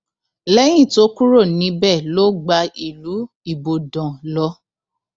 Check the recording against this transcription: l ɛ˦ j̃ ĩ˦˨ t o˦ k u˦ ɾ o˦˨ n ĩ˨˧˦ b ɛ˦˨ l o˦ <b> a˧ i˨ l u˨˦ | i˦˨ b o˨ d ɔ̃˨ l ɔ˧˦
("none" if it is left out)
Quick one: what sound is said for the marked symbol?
ɡ͡b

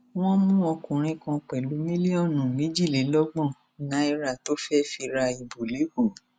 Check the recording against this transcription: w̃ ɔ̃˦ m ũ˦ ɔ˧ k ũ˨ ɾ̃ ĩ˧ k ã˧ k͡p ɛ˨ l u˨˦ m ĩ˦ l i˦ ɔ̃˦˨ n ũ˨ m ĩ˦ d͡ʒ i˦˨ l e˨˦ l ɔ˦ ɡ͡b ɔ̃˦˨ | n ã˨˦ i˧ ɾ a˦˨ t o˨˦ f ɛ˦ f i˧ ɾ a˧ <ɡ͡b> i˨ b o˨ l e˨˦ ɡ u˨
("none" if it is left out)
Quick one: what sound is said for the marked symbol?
none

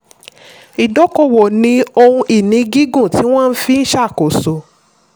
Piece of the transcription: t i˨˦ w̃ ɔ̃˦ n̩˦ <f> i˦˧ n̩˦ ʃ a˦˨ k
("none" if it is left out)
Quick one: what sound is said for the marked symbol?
f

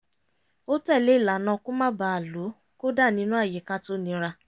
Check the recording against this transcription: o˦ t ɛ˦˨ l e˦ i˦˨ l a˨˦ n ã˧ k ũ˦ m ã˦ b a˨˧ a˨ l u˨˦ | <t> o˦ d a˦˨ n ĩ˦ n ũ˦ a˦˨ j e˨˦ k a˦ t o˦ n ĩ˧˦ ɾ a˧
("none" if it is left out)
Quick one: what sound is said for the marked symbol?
k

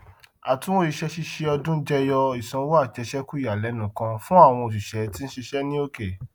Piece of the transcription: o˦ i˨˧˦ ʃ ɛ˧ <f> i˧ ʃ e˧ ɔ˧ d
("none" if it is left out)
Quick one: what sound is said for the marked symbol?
ʃ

